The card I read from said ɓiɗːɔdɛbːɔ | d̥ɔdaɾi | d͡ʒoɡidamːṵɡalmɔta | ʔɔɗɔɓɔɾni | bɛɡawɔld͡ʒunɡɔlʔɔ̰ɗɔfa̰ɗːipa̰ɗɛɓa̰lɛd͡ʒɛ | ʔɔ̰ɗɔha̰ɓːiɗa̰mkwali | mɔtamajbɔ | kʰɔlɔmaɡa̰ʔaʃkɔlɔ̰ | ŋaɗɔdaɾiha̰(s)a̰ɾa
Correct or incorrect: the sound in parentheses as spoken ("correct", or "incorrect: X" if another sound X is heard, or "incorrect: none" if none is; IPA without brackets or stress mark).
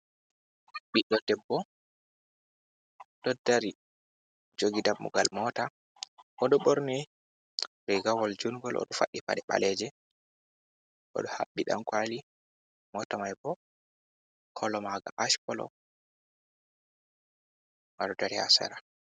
correct